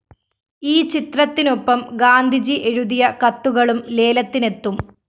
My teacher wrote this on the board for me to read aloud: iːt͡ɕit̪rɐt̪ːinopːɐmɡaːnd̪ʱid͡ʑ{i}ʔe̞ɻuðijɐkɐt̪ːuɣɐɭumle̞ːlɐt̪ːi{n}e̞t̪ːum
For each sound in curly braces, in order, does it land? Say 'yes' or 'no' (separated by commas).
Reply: yes, yes